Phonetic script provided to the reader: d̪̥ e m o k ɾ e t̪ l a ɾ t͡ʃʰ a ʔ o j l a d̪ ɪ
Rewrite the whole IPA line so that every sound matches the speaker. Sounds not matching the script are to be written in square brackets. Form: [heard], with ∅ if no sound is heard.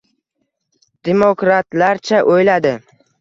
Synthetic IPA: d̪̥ e m o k ɾ [a] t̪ l a ɾ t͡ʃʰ a ʔ o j l a d̪ ɪ